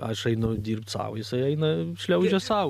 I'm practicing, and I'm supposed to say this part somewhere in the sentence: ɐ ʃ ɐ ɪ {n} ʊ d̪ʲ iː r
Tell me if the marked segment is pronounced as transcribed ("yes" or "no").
yes